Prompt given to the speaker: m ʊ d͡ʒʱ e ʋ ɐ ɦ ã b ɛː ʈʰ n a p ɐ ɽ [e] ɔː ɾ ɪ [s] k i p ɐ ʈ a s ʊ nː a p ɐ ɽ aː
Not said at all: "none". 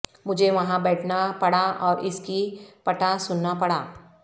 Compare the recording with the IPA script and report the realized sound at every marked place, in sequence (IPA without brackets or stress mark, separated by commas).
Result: a, s